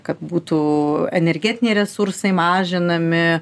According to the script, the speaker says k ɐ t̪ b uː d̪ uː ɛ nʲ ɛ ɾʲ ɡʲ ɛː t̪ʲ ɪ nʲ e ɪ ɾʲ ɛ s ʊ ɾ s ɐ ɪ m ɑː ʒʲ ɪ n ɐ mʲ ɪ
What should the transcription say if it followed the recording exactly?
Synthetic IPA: k ɐ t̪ b uː t̪ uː ɛ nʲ ɛ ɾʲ ɡʲ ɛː t̪ʲ ɪ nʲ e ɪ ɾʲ ɛ s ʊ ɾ s ɐ ɪ m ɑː ʒʲ ɪ n ɐ mʲ ɪ